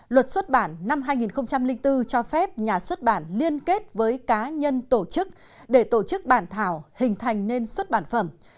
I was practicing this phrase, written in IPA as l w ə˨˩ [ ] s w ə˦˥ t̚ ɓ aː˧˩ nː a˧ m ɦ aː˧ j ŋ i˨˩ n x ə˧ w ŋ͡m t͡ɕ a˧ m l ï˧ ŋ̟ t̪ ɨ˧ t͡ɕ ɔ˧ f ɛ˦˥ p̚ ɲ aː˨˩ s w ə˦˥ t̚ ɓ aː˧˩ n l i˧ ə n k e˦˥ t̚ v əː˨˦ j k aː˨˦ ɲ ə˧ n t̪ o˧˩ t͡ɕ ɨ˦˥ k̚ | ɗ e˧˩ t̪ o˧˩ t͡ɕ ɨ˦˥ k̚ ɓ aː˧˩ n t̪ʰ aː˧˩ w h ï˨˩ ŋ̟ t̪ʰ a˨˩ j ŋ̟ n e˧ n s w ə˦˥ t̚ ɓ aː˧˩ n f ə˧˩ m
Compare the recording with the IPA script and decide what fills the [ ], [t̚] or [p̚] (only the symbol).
t̚